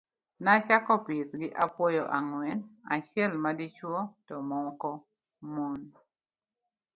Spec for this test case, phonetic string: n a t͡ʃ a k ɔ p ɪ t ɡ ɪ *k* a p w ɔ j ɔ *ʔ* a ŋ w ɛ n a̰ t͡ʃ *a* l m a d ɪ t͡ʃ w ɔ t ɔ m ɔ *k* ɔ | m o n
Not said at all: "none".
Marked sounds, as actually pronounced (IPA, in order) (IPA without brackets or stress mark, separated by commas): ʔ, ʔ, ɛ, k